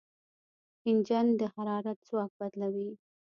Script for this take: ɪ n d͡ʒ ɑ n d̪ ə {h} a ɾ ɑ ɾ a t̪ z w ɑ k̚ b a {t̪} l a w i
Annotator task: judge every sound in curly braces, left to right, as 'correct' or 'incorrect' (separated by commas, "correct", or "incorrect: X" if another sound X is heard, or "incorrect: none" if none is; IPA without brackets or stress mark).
correct, incorrect: d̪